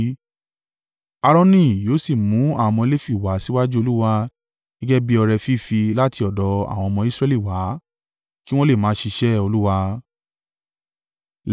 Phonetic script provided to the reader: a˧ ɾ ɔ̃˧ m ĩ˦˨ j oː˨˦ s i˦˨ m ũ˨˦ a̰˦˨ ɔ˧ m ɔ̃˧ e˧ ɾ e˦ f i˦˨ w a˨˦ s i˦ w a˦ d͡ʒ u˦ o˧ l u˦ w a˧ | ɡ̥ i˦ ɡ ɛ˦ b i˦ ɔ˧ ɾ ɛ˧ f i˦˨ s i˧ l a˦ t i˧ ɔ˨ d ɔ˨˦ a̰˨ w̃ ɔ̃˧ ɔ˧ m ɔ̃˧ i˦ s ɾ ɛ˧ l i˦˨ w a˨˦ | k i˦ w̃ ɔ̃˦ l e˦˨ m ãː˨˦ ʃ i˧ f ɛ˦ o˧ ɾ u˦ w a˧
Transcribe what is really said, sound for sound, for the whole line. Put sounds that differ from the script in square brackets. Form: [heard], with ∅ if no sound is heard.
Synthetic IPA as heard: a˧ ɾ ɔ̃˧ [n] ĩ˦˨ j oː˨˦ s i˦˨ m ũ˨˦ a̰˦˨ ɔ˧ m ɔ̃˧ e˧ [l] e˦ f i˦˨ w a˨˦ s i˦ w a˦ d͡ʒ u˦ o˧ l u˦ w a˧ | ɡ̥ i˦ ɡ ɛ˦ b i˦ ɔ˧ ɾ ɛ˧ f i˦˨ [f] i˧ l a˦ t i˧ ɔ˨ d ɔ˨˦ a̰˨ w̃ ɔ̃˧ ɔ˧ m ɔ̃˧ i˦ s ɾ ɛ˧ l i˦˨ w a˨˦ | k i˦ w̃ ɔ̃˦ l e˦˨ m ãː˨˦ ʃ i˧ [ʃ] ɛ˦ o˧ [l] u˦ w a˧